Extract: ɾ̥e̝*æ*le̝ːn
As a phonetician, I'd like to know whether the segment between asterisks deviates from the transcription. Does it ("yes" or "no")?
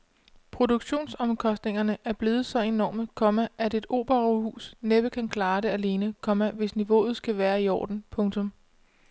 no